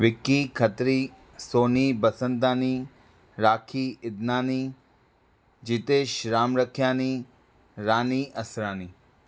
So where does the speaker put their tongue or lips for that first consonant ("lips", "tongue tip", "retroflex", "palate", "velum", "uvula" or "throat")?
lips